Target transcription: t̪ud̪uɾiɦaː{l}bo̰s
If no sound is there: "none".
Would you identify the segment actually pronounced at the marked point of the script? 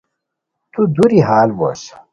l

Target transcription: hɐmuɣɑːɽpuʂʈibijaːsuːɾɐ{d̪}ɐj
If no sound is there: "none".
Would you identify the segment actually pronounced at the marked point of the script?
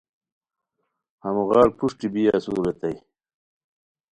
t̪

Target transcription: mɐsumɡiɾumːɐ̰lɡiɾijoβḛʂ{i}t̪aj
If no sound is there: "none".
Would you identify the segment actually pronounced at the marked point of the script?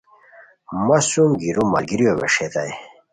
e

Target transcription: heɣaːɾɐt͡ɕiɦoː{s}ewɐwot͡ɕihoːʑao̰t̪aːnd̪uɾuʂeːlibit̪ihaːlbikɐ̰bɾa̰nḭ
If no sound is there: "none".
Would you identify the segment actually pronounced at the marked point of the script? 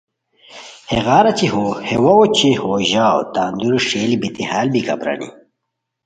h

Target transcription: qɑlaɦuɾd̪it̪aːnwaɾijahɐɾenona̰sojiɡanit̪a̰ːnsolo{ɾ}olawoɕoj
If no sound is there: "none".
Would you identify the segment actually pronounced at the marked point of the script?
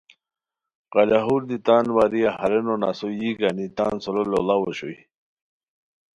l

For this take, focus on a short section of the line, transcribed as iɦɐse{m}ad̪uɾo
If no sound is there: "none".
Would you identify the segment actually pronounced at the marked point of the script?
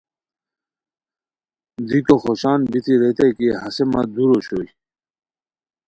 m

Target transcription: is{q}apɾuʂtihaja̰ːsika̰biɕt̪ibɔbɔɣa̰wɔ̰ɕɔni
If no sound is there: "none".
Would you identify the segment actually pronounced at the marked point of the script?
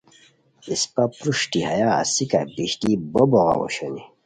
p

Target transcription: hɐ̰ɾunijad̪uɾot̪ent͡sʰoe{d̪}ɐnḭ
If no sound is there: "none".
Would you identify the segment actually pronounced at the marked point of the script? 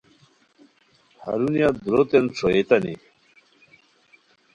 t̪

